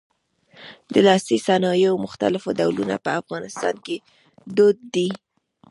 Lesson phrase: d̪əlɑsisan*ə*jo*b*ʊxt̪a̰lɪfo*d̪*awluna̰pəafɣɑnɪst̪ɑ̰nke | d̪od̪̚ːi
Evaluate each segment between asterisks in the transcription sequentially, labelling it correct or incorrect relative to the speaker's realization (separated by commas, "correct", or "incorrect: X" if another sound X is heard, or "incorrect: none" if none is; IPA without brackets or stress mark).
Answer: incorrect: ɑ, incorrect: m, correct